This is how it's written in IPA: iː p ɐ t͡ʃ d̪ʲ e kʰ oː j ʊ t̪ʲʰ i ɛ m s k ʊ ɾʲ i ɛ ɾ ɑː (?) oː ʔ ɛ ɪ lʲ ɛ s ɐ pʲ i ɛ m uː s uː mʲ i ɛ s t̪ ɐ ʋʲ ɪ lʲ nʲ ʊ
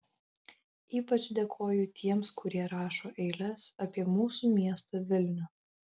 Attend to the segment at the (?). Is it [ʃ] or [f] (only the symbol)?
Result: ʃ